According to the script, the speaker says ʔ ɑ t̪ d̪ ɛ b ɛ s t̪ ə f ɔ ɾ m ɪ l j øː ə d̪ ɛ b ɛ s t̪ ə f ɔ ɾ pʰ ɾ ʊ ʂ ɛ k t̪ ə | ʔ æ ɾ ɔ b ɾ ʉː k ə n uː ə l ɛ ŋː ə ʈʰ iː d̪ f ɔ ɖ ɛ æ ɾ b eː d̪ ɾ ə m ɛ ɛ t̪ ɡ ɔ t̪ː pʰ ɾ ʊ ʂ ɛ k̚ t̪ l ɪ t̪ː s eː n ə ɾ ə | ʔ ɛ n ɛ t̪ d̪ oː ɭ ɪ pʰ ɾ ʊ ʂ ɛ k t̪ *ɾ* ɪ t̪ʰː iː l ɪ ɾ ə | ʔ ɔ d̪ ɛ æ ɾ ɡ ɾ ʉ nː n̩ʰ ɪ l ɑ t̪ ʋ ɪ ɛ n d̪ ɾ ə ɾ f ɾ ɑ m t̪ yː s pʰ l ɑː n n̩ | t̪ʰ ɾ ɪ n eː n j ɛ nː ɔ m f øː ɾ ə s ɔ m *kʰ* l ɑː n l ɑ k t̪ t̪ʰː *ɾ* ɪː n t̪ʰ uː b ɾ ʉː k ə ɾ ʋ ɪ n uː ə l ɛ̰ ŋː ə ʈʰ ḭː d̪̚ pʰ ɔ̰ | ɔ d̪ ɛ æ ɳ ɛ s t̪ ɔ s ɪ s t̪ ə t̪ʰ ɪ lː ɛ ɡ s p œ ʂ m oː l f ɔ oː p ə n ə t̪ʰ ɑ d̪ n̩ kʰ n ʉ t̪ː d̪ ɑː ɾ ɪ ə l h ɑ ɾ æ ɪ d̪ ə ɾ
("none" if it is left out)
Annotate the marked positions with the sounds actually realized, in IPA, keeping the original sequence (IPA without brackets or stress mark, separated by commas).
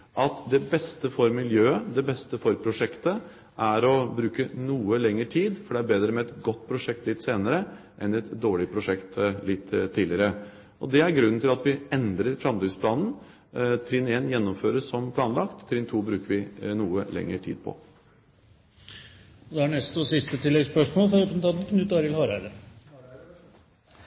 l, pʰ, ɾ